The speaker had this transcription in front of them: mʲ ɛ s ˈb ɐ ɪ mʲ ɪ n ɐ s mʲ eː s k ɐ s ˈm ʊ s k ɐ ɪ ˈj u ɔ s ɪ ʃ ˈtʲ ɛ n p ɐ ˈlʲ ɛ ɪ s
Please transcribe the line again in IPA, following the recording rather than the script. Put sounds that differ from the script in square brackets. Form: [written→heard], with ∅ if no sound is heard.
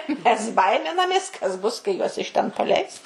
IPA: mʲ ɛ s ˈb ɐ ɪ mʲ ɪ n ɐ [s→∅] mʲ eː s k ɐ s [ˈm→ˈb] ʊ s k ɐ ɪ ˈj u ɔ s ɪ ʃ ˈtʲ ɛ n p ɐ ˈlʲ ɛ ɪ s